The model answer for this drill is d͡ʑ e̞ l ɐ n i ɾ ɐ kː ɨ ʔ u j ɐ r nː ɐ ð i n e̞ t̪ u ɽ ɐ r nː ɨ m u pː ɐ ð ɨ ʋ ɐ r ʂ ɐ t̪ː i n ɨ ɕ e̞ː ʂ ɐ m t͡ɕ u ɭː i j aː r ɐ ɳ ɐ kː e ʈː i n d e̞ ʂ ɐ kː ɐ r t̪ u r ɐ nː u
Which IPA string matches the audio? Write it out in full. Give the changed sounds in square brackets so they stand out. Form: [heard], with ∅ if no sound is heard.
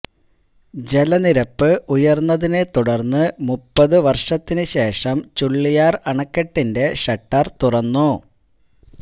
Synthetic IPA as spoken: d͡ʑ e̞ l ɐ n i ɾ ɐ [pː] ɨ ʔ u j ɐ r nː ɐ ð i n e̞ t̪ u ɽ ɐ r nː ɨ m u pː ɐ ð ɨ ʋ ɐ r ʂ ɐ t̪ː i n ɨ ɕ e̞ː ʂ ɐ m t͡ɕ u ɭː i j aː r ɐ ɳ ɐ kː e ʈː i n d e̞ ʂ ɐ [ʈː] ɐ r t̪ u r ɐ nː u